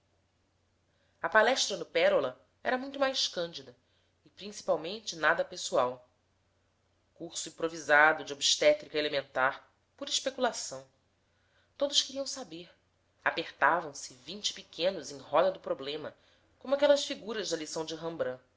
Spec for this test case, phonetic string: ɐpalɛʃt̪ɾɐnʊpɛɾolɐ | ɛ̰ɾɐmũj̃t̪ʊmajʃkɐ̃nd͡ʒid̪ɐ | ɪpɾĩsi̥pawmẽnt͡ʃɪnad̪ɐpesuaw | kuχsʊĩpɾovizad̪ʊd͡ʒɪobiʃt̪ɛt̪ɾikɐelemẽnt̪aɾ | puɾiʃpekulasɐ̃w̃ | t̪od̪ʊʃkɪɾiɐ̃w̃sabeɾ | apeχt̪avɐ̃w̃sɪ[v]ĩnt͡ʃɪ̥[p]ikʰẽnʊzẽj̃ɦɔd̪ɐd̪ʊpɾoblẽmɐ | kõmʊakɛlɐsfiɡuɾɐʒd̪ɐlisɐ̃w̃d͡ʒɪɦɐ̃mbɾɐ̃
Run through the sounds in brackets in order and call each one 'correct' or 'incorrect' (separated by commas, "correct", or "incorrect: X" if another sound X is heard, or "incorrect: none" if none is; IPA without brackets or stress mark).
correct, correct